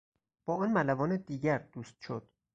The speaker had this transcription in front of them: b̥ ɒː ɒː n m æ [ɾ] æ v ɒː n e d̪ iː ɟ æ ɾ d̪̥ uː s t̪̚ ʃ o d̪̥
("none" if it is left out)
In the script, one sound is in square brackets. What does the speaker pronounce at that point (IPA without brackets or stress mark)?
l